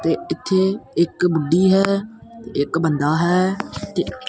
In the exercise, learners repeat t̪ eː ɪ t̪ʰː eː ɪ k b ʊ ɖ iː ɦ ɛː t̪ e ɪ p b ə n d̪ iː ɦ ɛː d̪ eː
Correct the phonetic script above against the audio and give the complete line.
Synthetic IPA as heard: t̪ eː ɪ t̪ʰː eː ɪ k b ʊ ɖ iː ɦ ɛː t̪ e ɪ k b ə n d̪ aː ɦ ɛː t̪ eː